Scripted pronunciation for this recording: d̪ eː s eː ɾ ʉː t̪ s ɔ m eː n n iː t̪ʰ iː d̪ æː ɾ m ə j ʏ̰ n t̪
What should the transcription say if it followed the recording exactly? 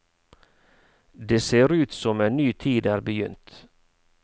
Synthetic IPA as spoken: d̪ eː s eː ɾ ʉː t̪ s ɔ m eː n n yː t̪ʰ iː d̪ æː ɾ b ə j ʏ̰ n t̪